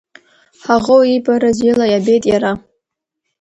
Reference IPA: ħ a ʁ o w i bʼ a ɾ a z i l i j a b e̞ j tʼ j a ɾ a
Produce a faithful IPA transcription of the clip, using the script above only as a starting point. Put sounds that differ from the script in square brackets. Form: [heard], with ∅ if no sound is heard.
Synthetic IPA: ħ a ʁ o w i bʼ a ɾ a z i l [a] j a b e̞ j tʼ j a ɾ a